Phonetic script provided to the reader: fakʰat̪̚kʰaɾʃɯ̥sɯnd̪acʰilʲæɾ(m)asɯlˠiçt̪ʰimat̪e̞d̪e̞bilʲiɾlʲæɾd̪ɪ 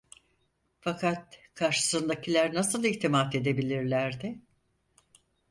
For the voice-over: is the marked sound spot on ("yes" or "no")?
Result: no